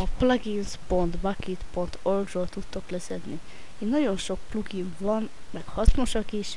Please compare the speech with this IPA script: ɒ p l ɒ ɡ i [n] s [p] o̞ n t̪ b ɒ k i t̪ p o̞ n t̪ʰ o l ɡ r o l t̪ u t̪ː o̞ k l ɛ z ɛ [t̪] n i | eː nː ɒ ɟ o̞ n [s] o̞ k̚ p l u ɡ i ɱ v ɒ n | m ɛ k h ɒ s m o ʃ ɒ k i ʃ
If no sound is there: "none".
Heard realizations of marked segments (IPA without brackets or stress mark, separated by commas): n, p, d̪, ʃ